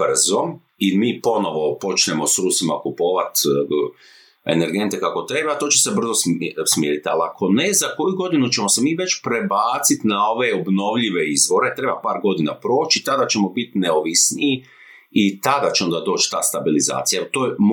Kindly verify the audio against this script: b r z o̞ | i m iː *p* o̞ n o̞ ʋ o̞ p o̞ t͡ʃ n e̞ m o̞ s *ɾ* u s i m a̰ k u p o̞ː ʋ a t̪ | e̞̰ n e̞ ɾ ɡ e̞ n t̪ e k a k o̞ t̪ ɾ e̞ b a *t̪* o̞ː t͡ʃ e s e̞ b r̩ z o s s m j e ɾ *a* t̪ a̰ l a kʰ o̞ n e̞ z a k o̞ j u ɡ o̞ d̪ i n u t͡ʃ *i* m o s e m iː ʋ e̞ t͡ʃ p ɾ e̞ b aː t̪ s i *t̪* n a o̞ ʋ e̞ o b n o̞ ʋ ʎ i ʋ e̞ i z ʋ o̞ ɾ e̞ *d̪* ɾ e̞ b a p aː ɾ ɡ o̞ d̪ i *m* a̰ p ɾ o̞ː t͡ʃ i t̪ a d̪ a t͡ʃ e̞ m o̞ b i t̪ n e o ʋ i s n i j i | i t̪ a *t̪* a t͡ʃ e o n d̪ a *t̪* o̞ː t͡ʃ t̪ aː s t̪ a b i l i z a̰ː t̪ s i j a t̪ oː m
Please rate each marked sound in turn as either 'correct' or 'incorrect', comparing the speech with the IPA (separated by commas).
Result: correct, correct, correct, incorrect, incorrect, correct, incorrect, incorrect, incorrect, incorrect